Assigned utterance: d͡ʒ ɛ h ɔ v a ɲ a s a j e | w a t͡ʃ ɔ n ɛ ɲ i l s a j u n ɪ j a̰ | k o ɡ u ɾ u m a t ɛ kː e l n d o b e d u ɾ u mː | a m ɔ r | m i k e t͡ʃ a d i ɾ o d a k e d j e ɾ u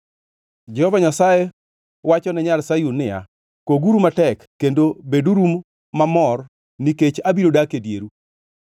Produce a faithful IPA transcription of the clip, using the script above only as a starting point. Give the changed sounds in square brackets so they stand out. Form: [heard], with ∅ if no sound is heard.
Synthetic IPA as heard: d͡ʒ ɛ h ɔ v a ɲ a s a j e | w a t͡ʃ ɔ n ɛ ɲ [a] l s a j u n ɪ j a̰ | k o ɡ u ɾ u m a t ɛ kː e [∅] n d o b e d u ɾ u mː | a m ɔ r | [n] i k e t͡ʃ a [b] i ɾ o d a k e d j e ɾ u

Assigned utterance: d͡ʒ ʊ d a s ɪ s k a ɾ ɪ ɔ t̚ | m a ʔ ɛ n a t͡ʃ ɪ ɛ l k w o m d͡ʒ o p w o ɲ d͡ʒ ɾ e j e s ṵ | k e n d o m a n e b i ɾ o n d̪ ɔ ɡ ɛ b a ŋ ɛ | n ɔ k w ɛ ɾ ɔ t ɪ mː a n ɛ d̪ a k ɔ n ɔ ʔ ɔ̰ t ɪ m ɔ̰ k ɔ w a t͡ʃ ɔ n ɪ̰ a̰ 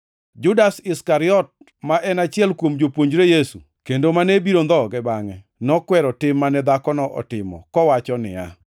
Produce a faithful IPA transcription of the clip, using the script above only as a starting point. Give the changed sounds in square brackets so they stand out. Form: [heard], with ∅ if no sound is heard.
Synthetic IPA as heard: d͡ʒ ʊ d a s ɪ s k a ɾ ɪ ɔ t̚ | m a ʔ ɛ n a t͡ʃ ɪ ɛ l k w o m d͡ʒ o p w o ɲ d͡ʒ ɾ e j e s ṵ | k e n d o m a n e b i ɾ o n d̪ ɔ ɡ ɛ b a ŋ ɛ | n ɔ k w ɛ ɾ ɔ t ɪ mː a n ɛ d̪ a k ɔ n ɔ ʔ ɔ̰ t ɪ m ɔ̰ k ɔ w a t͡ʃ ɔ n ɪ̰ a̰

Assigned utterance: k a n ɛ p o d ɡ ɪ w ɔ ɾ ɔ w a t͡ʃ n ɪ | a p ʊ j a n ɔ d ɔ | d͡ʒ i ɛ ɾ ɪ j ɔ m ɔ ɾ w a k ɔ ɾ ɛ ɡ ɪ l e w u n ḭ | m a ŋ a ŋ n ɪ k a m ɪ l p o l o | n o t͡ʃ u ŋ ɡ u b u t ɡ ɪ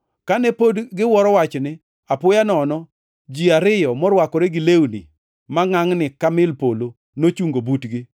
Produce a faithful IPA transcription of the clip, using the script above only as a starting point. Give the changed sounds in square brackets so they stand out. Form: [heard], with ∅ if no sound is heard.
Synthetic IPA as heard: k a n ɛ p o d ɡ ɪ w ɔ ɾ ɔ w a t͡ʃ n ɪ | a p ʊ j a n ɔ [n] ɔ | d͡ʒ i [a] ɾ ɪ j ɔ m ɔ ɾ w a k ɔ ɾ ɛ ɡ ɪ l e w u n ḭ | m a ŋ a ŋ n ɪ k a m ɪ l p o l o | n o t͡ʃ u ŋ ɡ [o] b u t ɡ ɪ

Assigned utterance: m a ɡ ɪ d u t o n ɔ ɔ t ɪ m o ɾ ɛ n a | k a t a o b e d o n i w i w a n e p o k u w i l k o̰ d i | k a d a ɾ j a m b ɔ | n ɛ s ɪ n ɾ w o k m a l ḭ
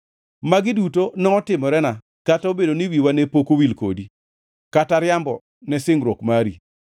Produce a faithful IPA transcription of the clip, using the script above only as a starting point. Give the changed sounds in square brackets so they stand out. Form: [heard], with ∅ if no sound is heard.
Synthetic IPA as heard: m a ɡ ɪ d u t o n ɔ ɔ t ɪ m [ɔ] ɾ ɛ n a | k a t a o b e d o n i w i w a n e p o k [o] w i l k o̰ d i | k a [t] a ɾ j a m b ɔ | n ɛ s ɪ [ŋ] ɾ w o k m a [ɾ] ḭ

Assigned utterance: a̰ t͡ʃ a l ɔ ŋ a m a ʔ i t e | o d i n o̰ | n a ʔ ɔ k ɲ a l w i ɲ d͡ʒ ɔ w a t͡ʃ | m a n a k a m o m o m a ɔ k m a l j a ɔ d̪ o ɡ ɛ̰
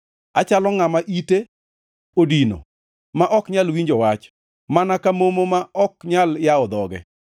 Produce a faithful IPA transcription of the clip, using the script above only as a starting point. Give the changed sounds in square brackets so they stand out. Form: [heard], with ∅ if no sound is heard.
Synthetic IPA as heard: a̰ t͡ʃ a l ɔ ŋ a m a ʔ i t e | o d i n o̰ | [m] a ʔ ɔ k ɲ a l w i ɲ d͡ʒ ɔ w a t͡ʃ | m a n a k a m o m o m a ɔ k [ɲ] a l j a ɔ d̪ [ɔ] ɡ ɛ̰

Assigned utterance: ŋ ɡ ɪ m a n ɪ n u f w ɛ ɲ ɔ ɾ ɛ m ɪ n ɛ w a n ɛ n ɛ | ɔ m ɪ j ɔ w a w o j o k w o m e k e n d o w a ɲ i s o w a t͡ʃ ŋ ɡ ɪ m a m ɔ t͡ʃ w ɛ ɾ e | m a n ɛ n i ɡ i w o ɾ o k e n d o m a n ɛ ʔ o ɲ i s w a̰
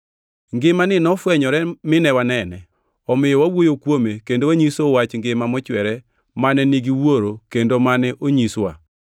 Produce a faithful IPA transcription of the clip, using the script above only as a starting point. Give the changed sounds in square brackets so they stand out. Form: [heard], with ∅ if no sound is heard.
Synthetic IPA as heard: ŋ ɡ ɪ m a n ɪ n [ɔ] f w ɛ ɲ ɔ ɾ ɛ m ɪ n ɛ w a n ɛ n ɛ | ɔ m ɪ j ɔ w a w o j o k w o m e k e n d o w a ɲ i s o w a t͡ʃ ŋ ɡ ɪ m a m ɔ t͡ʃ w ɛ ɾ [ɛ] | m a n ɛ n i ɡ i w o ɾ o k e n d o m a n ɛ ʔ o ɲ i s w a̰

